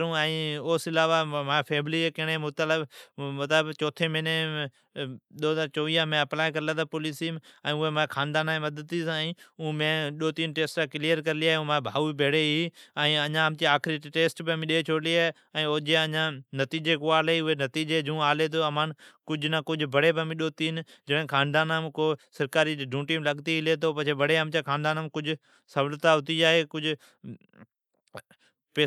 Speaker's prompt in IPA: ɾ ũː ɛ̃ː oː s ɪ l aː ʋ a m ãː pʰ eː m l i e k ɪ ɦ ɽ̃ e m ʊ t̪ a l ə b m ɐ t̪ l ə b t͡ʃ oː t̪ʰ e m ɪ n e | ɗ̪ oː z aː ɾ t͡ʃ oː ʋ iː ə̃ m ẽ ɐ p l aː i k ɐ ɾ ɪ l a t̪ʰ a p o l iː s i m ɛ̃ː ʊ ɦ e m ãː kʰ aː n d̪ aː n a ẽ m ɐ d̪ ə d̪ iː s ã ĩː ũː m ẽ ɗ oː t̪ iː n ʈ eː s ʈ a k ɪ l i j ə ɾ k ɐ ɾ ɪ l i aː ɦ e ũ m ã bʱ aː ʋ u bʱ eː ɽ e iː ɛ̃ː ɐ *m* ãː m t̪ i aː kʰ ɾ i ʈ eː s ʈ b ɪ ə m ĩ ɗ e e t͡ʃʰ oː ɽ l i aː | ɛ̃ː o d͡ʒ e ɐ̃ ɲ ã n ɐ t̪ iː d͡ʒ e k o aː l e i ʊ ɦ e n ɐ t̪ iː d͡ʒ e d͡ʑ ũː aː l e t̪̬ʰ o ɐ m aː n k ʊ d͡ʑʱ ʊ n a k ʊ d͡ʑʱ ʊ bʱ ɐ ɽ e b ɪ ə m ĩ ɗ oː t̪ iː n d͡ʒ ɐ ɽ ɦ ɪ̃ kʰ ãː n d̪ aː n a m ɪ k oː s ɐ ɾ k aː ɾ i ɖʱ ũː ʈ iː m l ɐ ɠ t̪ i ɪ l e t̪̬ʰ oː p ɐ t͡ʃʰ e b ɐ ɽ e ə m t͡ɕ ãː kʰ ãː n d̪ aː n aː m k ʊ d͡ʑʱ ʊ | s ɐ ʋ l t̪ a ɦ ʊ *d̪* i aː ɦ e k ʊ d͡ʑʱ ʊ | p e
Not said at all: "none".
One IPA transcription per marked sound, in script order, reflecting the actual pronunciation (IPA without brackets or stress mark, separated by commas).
ɲ, t̪